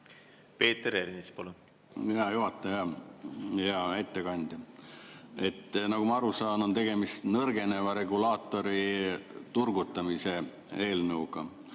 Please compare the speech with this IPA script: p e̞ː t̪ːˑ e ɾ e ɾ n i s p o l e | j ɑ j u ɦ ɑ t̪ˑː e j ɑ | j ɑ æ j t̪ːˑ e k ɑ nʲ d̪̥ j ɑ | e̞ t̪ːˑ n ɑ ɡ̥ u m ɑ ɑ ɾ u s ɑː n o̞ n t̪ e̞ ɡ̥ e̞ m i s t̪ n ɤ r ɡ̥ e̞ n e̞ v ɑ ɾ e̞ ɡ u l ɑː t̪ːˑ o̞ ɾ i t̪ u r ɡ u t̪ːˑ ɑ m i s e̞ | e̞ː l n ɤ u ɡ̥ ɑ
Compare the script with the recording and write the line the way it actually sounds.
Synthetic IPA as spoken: p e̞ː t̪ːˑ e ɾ e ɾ n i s p o l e | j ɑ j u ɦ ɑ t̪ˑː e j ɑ | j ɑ æ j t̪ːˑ e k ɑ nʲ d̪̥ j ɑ | e̞ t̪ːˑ n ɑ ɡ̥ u m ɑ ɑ ɾ u s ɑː n o̞ n t̪ e̞ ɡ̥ e̞ m i s t̪ n ɤ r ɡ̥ e̞ n e̞ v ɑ ɾ e̞ ɡ u l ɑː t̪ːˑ o̞ ɾ i t̪ u r ɡ u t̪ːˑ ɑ m i s e̞ | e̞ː l n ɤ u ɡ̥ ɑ